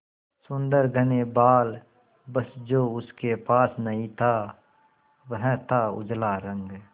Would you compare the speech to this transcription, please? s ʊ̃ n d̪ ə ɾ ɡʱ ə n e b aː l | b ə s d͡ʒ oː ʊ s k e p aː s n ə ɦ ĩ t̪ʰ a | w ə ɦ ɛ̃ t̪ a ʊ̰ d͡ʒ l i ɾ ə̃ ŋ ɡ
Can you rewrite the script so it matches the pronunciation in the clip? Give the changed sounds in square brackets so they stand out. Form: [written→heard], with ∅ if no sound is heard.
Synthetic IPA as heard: s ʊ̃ n d̪ ə ɾ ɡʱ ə n e b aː l | b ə s d͡ʒ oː ʊ s k e p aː s n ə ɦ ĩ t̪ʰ a | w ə ɦ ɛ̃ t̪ a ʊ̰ d͡ʒ l [i→a] ɾ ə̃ ŋ ɡ